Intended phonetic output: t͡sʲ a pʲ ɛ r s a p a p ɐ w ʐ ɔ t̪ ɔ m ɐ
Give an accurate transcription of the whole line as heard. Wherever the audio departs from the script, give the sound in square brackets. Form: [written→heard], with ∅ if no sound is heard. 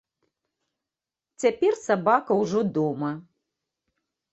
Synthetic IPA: t͡sʲ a pʲ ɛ r s a [p→b] a [p→k] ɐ w ʐ ɔ [t̪→d̪] ɔ m ɐ